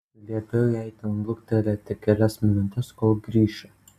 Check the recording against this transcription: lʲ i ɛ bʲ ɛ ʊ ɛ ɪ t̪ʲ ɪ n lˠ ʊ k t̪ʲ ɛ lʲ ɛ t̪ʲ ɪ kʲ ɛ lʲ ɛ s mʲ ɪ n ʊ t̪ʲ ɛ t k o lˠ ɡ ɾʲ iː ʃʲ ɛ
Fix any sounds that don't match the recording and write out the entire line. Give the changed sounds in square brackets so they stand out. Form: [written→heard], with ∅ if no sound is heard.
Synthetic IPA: lʲ i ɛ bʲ ɛ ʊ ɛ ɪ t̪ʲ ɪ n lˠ ʊ k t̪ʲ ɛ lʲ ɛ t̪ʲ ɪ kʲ ɛ lʲ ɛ s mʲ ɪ n ʊ t̪ʲ ɛ [t→s] k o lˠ ɡ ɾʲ iː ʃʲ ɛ